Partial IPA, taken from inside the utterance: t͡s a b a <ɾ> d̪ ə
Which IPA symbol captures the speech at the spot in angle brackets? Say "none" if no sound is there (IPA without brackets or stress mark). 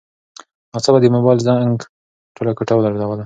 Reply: none